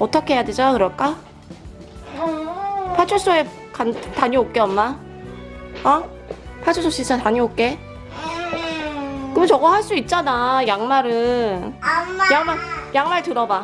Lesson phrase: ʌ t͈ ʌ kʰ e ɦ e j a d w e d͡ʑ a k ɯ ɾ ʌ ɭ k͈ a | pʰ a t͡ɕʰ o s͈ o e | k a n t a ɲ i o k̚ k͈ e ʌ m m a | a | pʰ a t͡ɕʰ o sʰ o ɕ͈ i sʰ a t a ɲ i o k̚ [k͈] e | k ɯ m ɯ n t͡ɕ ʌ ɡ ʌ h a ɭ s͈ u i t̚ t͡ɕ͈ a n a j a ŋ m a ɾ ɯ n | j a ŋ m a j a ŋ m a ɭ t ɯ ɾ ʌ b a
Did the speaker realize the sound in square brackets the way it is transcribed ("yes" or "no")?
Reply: yes